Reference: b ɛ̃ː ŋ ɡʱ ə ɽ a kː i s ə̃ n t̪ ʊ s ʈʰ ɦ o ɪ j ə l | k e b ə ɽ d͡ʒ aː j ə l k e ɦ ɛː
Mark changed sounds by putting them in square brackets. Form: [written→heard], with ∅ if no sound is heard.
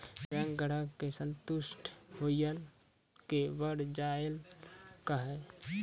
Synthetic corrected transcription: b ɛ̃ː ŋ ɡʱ ə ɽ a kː [i→e] s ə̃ n t̪ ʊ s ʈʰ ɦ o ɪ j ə l | k e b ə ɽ d͡ʒ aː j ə l k [e→a] ɦ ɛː

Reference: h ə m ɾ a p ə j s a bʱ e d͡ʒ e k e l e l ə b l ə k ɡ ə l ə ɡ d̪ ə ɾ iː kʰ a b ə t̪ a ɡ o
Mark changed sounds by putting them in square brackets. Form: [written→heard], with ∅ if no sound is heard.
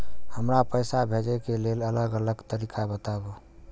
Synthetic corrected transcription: h ə m ɾ a p ə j s a bʱ e d͡ʒ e k e l e l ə [b→∅] l ə [k→∅] ɡ ə l ə ɡ [d̪→t̪] ə ɾ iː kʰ a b ə t̪ a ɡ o

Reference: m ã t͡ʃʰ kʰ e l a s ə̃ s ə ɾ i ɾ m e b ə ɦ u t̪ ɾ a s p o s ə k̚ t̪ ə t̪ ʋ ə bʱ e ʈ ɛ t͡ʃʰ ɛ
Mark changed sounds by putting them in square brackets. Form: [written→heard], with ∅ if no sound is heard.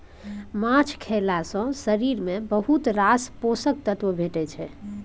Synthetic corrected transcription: m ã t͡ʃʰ kʰ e l a s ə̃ s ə ɾ i ɾ m e b ə ɦ u t̪ ɾ a s p o s ə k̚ t̪ ə t̪ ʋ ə bʱ e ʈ ɛ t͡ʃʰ ɛ

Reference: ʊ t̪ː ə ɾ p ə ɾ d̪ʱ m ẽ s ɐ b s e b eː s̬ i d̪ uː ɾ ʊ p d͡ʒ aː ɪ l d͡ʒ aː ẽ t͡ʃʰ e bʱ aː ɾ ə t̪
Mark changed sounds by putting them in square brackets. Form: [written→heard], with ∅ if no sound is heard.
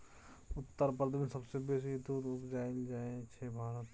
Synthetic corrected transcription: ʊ t̪ː ə ɾ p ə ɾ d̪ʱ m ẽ s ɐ b s e b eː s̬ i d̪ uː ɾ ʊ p d͡ʒ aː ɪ l d͡ʒ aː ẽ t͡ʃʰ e bʱ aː ɾ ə t̪

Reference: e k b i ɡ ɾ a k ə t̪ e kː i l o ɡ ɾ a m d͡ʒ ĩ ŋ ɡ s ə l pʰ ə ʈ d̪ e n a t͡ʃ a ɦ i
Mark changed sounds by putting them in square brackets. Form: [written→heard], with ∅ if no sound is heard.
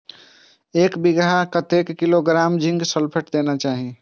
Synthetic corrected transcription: e k b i ɡ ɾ a k ə t̪ e kː i l o ɡ ɾ a m d͡ʒ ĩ ŋ ɡ s ə l pʰ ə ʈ d̪ e n a t͡ʃ a ɦ i

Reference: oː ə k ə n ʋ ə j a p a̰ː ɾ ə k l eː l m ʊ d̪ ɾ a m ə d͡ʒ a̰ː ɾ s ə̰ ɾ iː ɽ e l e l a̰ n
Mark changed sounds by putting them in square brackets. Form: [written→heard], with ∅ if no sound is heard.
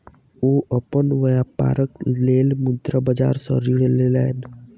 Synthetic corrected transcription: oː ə [k→p] ə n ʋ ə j a p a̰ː ɾ ə k l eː l m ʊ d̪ ɾ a [m→b] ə d͡ʒ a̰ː ɾ s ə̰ ɾ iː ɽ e l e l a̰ n

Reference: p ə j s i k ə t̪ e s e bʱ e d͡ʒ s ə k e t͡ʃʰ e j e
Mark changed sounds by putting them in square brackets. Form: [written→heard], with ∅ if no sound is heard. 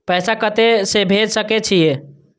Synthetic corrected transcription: p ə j s [i→a] k ə t̪ e s e bʱ e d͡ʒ s ə k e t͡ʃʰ [e→i] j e

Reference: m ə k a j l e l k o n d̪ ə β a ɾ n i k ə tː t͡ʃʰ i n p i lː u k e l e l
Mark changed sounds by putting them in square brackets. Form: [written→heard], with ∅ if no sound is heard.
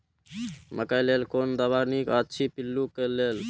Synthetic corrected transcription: m ə k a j l e l k o n d̪ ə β a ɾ n i k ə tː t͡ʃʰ i [n→∅] p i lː u k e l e l

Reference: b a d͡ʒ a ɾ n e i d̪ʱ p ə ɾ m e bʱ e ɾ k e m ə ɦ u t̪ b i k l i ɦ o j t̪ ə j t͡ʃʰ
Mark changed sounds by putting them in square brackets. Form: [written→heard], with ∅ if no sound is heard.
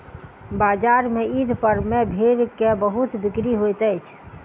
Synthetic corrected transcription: b a d͡ʒ a ɾ [n→m] e i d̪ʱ p ə ɾ m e bʱ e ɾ k e [m→b] ə ɦ u t̪ b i k [l→ɾ] i ɦ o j t̪ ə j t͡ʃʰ

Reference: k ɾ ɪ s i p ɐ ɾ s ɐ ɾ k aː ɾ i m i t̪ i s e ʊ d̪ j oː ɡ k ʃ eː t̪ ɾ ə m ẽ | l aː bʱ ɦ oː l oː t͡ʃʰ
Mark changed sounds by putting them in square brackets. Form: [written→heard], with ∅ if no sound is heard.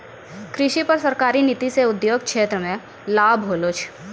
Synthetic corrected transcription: k ɾ ɪ [s→ʃ] i p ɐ ɾ s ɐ ɾ k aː ɾ i [m→n] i t̪ i s e ʊ d̪ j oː ɡ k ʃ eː t̪ ɾ ə m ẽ | l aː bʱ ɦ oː l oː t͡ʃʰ

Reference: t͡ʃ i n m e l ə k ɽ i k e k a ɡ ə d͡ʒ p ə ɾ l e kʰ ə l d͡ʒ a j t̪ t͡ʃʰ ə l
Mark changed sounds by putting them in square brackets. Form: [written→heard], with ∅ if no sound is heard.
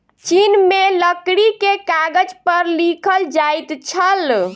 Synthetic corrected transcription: t͡ʃ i n m e l ə k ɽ i k e k a ɡ ə d͡ʒ p ə ɾ l [e→i] kʰ ə l d͡ʒ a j t̪ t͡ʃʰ ə l

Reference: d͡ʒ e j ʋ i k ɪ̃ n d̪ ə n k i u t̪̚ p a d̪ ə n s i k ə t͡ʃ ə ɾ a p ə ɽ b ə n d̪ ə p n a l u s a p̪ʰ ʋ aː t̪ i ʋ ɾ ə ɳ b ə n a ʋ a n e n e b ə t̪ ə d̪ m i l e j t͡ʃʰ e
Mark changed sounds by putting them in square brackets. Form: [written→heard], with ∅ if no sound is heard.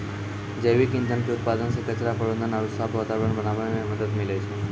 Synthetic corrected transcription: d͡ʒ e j ʋ i k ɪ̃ n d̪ ə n k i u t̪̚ p a d̪ ə n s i k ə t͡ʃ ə ɾ a p ə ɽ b ə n d̪ ə [p→∅] n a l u s a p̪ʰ ʋ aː t̪ [i→a] ʋ ɾ ə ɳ b ə n a ʋ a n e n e [b→m] ə [t̪→d̪] ə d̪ m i l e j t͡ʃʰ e

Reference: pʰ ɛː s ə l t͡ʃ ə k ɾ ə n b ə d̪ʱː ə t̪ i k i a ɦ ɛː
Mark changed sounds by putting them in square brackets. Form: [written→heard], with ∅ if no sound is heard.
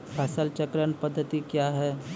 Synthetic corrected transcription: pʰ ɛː s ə l t͡ʃ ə k ɾ ə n [b→p] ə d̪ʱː ə t̪ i k [i→j] a ɦ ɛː

